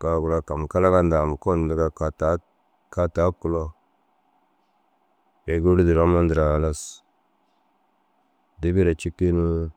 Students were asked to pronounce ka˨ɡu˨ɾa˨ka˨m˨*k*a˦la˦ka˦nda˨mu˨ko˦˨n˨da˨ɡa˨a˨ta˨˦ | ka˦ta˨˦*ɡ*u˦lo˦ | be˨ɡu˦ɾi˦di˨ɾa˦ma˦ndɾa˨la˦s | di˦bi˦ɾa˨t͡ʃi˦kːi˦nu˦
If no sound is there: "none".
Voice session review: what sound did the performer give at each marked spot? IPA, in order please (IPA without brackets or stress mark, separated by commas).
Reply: k, k